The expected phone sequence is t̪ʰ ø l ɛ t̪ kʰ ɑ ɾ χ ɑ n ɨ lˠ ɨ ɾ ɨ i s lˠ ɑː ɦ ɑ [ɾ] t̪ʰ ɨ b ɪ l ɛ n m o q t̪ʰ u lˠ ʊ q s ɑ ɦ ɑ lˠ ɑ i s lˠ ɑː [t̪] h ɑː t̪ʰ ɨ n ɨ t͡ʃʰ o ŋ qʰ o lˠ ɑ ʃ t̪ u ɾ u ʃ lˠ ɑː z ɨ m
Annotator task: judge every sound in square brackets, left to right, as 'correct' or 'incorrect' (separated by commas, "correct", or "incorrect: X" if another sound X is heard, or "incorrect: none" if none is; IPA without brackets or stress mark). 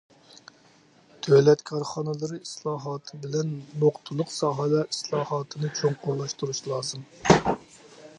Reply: incorrect: none, incorrect: none